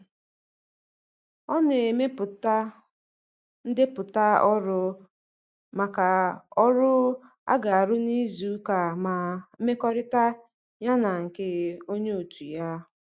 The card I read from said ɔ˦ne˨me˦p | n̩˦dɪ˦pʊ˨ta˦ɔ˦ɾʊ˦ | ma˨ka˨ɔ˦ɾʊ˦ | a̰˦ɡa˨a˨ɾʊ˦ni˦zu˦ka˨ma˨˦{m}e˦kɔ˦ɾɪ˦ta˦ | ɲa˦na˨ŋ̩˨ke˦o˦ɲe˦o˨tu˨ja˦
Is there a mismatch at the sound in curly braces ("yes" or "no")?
no